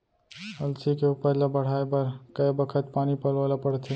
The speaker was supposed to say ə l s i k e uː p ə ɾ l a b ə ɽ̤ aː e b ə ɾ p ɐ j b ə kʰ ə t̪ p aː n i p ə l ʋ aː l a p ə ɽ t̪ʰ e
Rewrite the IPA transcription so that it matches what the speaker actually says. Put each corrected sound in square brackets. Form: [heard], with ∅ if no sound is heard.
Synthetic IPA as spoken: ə l s i k e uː p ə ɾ l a b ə ɽ̤ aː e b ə ɾ [k] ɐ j b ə kʰ ə t̪ p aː n i p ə l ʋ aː l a p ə ɽ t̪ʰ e